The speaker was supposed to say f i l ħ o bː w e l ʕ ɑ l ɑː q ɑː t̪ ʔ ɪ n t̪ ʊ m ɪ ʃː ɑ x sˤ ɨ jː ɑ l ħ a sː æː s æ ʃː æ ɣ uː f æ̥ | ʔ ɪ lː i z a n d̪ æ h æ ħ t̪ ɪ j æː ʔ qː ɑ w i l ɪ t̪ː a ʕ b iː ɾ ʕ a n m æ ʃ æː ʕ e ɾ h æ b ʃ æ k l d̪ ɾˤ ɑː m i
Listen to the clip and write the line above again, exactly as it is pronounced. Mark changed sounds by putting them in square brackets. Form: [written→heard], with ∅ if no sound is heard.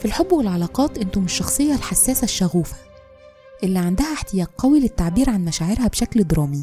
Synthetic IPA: f i l ħ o bː w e l ʕ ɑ l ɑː q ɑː t̪ ʔ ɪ n t̪ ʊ m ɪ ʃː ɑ x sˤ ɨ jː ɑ l ħ a sː æː s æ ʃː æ ɣ uː f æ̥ | ʔ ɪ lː i [z→ʕ] a n d̪ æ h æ ħ t̪ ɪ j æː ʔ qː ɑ w i l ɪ t̪ː a ʕ b iː ɾ ʕ a n m æ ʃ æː ʕ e ɾ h æ b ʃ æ k l d̪ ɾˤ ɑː m i